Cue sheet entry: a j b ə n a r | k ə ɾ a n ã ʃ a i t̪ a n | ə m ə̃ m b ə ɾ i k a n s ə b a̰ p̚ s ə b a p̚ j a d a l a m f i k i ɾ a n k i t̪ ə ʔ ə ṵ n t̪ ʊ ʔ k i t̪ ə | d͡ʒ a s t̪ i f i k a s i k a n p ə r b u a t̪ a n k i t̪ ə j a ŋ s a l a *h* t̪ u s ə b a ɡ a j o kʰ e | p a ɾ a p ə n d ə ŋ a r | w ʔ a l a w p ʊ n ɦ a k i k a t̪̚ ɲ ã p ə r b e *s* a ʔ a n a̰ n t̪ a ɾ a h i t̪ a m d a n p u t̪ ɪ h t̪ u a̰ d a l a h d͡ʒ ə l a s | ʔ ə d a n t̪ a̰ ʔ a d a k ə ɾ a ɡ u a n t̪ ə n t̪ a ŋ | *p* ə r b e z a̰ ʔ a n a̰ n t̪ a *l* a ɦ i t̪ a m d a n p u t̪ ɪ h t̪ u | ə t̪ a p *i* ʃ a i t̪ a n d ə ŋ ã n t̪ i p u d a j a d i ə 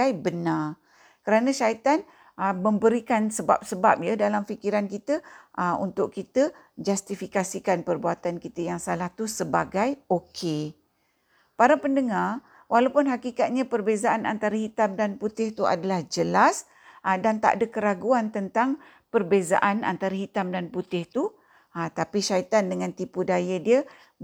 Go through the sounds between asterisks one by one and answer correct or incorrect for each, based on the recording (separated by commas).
correct, incorrect, correct, incorrect, correct